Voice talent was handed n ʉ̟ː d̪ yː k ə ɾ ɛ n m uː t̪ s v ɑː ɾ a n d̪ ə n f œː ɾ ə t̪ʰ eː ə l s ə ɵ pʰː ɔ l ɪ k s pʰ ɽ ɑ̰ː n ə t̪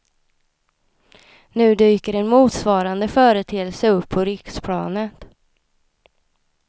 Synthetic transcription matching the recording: n ʉ̟ː d̪ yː k ə ɾ ɛ n m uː t̪ s v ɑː ɾ a n d̪ ə f œː ɾ ə t̪ʰ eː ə l s ə ɵ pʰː ɔ ɾ ɪ k s pʰ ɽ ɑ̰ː n ə t̪